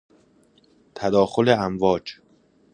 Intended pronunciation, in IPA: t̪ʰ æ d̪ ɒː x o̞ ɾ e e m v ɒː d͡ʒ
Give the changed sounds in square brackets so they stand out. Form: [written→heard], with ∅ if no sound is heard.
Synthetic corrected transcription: t̪ʰ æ d̪ ɒː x o̞ [ɾ→l] e [e→æ] m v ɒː d͡ʒ